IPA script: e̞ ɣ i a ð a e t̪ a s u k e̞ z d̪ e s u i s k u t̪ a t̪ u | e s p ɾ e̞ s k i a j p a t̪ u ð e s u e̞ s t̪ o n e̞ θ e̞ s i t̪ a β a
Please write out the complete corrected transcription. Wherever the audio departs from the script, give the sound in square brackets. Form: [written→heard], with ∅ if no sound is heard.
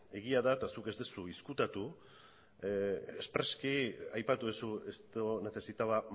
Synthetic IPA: e̞ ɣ i a ð a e t̪ a s u k e̞ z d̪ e s u i s k u t̪ a t̪ u | e s p ɾ e̞ s k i a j p a t̪ u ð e s u e̞ s t̪ o n e̞ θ e̞ s i t̪ a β a